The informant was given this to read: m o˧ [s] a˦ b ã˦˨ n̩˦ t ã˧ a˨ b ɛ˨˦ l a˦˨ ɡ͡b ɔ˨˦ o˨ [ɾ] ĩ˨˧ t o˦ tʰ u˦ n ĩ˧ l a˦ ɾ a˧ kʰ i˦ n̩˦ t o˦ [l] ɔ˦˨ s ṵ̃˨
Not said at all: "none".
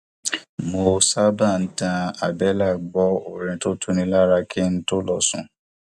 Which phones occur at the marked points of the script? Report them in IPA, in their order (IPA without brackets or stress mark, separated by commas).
s, ɾ, l